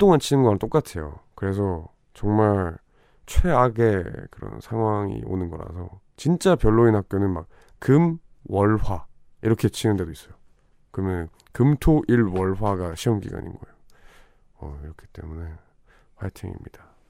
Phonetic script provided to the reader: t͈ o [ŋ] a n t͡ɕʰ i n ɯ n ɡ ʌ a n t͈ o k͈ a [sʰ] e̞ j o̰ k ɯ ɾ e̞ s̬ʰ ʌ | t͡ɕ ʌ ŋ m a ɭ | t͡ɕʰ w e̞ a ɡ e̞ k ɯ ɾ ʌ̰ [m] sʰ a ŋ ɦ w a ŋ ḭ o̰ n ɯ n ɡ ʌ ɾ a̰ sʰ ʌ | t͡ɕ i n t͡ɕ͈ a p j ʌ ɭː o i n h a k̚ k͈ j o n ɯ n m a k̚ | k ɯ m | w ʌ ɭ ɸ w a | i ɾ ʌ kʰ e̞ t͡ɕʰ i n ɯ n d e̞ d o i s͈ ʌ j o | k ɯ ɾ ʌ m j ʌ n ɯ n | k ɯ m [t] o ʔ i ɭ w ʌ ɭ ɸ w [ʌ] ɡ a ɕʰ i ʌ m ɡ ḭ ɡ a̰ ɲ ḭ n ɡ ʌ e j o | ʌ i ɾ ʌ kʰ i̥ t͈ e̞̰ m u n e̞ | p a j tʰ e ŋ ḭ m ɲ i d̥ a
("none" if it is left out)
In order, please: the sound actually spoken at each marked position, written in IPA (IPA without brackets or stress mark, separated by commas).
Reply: ŋ, tʰ, n, tʰ, a